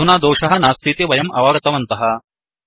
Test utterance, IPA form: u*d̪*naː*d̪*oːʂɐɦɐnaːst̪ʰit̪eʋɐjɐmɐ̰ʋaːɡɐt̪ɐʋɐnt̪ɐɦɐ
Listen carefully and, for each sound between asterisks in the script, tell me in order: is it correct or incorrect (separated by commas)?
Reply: incorrect, correct